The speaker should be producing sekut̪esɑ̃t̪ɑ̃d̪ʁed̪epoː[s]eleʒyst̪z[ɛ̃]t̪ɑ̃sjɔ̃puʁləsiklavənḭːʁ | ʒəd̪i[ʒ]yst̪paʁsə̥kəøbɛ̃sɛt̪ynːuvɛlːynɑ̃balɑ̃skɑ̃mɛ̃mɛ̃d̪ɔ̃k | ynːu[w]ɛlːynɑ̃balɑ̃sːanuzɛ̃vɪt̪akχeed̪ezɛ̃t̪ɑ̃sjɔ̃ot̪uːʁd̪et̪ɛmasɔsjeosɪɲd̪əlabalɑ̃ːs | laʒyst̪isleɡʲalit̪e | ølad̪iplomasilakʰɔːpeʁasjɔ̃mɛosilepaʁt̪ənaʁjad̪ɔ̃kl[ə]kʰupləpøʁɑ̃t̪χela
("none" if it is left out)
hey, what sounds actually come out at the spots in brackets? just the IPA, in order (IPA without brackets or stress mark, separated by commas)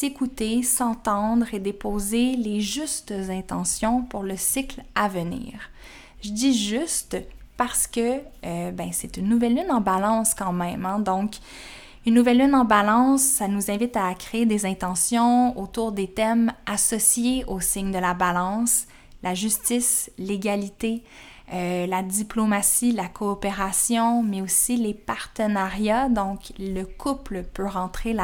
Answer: z, ɛ̃, ʒ, v, ə